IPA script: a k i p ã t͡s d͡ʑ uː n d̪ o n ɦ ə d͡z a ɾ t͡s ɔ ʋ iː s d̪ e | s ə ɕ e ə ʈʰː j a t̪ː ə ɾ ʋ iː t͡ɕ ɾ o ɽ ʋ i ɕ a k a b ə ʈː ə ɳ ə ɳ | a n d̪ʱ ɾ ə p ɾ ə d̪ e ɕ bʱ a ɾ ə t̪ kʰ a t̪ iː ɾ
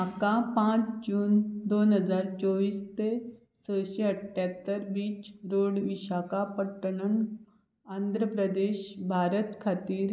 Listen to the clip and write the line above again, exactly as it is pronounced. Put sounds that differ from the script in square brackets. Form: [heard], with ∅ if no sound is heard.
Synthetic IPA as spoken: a k [a] p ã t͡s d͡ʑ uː n d̪ o n ɦ ə d͡z a ɾ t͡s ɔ ʋ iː s [t̪] e | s ə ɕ e ə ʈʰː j a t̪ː ə ɾ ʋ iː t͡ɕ ɾ o ɽ ʋ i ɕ a k a [p] ə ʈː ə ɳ ə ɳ | a n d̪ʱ ɾ ə p ɾ ə d̪ e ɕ bʱ a ɾ ə t̪ kʰ a t̪ iː ɾ